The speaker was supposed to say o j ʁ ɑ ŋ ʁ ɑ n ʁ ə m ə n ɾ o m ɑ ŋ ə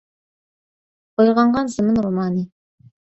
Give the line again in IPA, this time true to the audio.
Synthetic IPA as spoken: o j ʁ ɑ ɴ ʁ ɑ n z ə m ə n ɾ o m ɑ n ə